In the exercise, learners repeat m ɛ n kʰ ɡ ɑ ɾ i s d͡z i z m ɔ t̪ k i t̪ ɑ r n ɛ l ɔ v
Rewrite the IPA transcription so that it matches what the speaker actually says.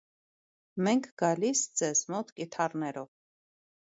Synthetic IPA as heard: m ɛ ŋ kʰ ɡ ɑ l i s d͡z ɛ z m ɔ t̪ k i t̪ʰ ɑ r n ɛ ɾ ɔ v